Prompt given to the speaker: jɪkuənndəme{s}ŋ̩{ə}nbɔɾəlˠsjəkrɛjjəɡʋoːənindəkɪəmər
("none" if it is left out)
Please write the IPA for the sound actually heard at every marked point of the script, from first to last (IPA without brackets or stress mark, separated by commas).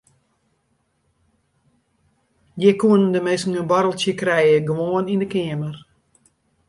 s, ə